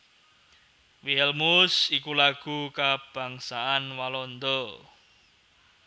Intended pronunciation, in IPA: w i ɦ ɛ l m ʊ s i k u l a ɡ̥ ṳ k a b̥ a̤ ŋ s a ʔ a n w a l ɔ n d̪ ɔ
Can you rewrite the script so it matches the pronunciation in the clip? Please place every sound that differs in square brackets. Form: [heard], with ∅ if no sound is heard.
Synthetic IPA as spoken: w i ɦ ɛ l m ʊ s i k u l a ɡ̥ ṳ k a b̥ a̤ ŋ s a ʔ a n w a l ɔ n d̪ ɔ